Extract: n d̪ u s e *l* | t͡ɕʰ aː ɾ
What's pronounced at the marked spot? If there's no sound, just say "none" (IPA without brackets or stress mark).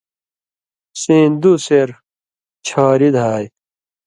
ɾ